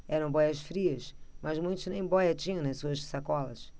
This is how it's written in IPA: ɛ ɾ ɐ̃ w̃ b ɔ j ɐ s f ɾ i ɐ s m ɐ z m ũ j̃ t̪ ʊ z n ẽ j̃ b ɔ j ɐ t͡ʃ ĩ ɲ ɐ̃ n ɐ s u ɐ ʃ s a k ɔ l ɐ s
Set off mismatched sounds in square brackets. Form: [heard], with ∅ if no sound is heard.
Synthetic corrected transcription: ɛ ɾ ɐ̃ w̃ b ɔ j ɐ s f ɾ i ɐ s m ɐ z m ũ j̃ t̪ ʊ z n ẽ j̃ b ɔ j ɐ t͡ʃ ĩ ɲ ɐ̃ n ɐ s u ɐ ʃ s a k ɔ l ɐ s